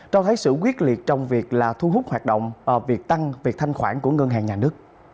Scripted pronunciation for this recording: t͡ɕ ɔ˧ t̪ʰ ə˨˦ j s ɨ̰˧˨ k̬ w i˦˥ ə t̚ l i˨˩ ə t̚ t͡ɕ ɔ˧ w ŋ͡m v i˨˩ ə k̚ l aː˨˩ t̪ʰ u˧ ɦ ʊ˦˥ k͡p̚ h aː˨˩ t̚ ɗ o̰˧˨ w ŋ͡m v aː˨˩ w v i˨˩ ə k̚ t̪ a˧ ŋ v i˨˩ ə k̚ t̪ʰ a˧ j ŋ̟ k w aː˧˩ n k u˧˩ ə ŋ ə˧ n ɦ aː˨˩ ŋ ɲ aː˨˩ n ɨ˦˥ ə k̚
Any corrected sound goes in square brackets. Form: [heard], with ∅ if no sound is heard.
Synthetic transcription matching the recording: t͡ɕ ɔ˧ t̪ʰ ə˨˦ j s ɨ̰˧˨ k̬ w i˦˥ ə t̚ l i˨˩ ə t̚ t͡ɕ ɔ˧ w ŋ͡m v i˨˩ ə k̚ l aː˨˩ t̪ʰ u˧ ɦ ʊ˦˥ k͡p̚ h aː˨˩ t̚ ɗ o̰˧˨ w ŋ͡m v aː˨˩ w v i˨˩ ə k̚ t̪ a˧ ŋ v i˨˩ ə k̚ t̪ʰ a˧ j ŋ̟ [x] w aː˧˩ n k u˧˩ ə ŋ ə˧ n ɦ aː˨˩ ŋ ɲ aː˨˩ n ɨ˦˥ ə k̚